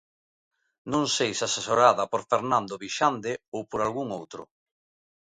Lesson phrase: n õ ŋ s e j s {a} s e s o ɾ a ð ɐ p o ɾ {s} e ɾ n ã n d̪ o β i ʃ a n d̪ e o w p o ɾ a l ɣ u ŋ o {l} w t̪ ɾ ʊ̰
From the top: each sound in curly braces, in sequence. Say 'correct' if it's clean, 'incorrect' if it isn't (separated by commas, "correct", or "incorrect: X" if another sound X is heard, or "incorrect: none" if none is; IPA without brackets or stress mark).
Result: correct, incorrect: f, incorrect: none